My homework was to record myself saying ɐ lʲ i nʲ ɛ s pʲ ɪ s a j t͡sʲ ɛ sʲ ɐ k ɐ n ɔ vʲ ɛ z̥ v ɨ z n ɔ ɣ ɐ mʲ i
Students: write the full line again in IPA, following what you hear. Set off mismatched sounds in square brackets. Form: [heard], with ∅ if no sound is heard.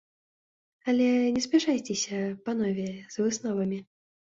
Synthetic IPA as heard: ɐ lʲ [ɛ] nʲ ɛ s pʲ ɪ [ʂ] a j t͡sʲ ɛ sʲ ɐ [p] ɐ n ɔ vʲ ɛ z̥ v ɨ [s] n ɔ [v] ɐ mʲ i